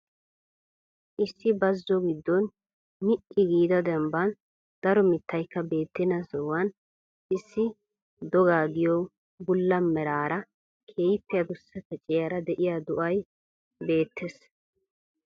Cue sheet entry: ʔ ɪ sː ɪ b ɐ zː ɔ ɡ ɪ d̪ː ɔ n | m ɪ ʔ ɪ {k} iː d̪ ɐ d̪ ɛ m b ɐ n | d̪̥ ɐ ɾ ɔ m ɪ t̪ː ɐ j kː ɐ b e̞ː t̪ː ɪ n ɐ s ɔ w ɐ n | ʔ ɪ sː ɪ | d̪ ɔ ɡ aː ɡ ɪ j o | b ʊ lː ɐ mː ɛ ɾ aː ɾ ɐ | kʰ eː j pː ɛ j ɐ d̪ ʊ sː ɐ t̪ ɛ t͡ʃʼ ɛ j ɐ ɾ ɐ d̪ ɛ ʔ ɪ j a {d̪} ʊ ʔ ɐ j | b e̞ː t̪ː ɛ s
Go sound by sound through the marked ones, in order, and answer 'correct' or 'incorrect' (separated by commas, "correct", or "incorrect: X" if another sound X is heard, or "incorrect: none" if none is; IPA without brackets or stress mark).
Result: incorrect: ɡ, correct